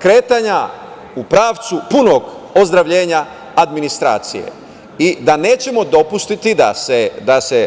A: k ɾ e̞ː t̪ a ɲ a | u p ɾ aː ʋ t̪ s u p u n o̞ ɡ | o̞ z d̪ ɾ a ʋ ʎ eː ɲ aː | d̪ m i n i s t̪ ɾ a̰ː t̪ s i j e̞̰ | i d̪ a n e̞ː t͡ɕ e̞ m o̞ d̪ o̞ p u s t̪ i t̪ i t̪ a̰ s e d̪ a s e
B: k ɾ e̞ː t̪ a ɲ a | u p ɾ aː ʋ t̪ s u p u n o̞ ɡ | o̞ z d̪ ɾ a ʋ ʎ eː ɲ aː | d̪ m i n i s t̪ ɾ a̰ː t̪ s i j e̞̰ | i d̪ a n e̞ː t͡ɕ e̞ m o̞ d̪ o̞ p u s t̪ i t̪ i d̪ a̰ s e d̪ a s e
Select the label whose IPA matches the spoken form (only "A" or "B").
B